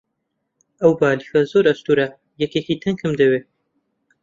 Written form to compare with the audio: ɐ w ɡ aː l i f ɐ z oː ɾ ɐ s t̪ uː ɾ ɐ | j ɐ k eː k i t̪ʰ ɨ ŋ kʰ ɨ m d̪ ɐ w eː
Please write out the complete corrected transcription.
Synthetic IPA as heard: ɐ w b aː l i x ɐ z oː ɾ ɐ s t̪ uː ɾ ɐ | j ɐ k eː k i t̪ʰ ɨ ŋ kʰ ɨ m d̪ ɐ w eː

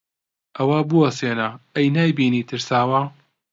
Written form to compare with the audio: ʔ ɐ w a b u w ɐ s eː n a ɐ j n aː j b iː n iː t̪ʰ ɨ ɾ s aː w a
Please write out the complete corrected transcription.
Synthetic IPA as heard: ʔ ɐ w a b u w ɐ s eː n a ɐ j n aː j b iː n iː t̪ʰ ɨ ɾ s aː w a

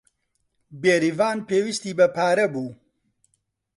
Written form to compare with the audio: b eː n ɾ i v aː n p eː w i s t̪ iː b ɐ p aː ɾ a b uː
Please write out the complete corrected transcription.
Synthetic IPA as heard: b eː ɾ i v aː n p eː w i s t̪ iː b ɐ p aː ɾ ɐ b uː

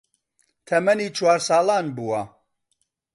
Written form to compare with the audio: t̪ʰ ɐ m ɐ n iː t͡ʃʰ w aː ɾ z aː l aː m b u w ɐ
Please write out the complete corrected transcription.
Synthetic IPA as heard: t̪ʰ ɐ m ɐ n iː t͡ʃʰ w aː ɾ s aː l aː n b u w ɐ

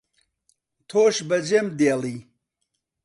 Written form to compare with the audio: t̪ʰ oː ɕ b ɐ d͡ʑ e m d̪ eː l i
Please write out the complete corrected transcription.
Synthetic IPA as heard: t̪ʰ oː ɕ b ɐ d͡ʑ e m d̪ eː l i

